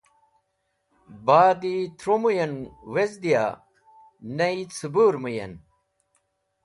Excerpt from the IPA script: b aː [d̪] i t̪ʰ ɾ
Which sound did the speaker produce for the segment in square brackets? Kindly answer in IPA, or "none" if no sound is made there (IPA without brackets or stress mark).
d̪